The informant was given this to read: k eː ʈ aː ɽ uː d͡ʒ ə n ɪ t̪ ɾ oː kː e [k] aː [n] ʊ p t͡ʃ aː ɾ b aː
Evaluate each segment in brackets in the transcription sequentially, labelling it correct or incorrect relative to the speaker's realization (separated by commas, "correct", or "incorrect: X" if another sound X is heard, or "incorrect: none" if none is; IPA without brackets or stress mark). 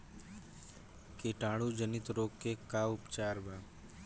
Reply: correct, incorrect: none